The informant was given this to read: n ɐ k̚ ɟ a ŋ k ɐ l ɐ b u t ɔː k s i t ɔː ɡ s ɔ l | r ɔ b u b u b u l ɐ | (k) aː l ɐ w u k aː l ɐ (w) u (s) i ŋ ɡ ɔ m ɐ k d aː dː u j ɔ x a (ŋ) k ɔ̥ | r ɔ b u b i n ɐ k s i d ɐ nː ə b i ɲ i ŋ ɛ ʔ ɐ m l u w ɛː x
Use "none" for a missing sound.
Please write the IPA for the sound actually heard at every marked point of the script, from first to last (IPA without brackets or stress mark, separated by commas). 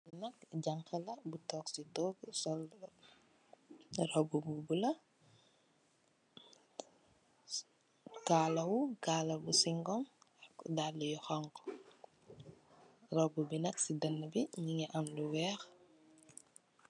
k, b, s, ŋ